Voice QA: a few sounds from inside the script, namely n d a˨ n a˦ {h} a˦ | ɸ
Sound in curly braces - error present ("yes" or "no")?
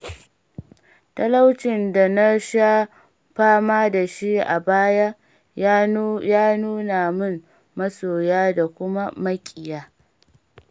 yes